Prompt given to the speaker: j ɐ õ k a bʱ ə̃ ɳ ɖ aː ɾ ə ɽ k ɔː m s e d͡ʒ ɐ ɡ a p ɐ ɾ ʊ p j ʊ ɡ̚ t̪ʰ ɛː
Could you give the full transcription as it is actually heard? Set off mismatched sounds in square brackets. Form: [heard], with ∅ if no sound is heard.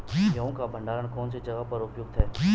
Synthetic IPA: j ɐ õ k a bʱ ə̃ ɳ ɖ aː ɾ ə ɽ k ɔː [n] s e d͡ʒ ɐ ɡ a p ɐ ɾ ʊ p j ʊ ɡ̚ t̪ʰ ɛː